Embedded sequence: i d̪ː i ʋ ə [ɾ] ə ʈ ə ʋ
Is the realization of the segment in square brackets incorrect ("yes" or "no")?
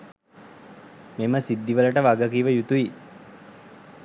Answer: yes